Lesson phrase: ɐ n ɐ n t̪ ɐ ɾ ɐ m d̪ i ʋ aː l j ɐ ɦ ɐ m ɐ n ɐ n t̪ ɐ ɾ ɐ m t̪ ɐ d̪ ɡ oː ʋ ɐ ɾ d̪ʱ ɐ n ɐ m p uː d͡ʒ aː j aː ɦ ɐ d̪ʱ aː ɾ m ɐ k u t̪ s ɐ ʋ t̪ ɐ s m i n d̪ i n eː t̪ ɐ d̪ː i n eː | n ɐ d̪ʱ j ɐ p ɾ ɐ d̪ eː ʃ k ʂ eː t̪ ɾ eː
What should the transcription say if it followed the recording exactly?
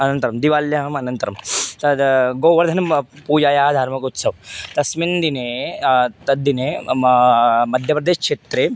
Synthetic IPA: ɐ n ɐ n t̪ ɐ ɾ ɐ m d̪ i ʋ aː l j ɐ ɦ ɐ m ɐ n ɐ n t̪ ɐ ɾ ɐ m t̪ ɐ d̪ ɡ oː ʋ ɐ ɾ d̪ʱ ɐ n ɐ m p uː d͡ʒ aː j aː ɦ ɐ d̪ʱ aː ɾ m ɐ k u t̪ s ɐ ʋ t̪ ɐ s m i n d̪ i n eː t̪ ɐ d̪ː i n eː | m ɐ d̪ʱ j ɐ p ɾ ɐ d̪ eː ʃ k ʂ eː t̪ ɾ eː